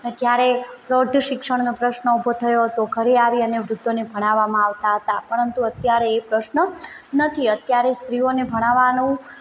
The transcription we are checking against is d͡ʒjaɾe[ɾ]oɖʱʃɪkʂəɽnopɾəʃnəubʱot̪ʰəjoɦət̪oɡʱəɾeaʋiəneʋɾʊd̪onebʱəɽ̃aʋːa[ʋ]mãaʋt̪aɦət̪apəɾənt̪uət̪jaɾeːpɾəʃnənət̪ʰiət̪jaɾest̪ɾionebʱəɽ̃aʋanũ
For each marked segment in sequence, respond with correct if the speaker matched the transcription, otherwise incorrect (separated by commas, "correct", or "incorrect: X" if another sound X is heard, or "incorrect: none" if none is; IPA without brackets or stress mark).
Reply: correct, incorrect: none